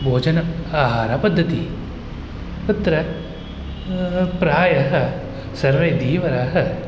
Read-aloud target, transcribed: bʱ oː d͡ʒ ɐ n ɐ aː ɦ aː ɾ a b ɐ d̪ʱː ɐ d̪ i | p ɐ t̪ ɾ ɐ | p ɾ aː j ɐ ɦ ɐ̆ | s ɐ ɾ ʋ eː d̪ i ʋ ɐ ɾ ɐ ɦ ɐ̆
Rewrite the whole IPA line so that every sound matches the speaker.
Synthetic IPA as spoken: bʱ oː d͡ʒ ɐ n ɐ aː ɦ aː ɾ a p ɐ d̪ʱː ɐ t̪ i | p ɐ t̪ ɾ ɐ | p ɾ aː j ɐ ɦ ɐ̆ | s ɐ ɾ ʋ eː d̪ iː ʋ ɐ ɾ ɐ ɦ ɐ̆